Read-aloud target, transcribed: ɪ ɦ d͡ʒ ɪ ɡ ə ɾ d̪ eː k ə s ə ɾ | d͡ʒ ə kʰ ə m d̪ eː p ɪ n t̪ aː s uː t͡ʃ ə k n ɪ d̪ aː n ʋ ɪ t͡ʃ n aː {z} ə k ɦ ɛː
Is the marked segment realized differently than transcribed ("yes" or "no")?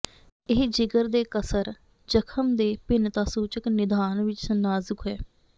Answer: no